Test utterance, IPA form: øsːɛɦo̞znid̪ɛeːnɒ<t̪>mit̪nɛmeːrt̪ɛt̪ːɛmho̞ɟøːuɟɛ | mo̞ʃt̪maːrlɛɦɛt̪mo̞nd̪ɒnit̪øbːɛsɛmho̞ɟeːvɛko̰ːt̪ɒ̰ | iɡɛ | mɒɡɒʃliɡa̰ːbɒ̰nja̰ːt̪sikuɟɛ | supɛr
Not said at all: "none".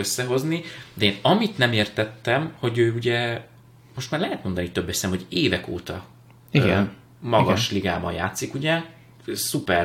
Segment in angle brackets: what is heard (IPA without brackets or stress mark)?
none